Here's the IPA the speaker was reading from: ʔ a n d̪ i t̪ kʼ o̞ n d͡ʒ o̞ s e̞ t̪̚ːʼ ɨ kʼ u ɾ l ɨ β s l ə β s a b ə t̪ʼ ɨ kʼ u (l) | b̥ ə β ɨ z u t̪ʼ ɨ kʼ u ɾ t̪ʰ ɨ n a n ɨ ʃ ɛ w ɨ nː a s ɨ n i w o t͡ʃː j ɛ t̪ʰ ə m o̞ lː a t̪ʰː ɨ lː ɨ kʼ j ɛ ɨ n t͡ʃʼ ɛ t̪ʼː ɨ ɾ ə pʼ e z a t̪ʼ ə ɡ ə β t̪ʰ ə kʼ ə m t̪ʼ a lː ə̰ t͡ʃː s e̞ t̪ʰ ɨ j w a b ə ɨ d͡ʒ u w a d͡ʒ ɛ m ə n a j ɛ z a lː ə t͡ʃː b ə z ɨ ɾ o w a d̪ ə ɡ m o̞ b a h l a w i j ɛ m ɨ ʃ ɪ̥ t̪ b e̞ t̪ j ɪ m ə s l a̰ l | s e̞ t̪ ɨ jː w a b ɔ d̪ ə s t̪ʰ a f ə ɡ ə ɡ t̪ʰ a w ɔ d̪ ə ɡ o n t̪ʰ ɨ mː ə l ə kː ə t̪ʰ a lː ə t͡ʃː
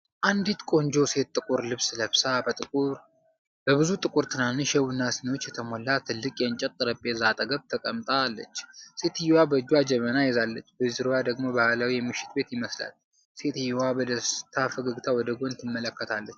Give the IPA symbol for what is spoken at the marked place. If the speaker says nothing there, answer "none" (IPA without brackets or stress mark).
ɾ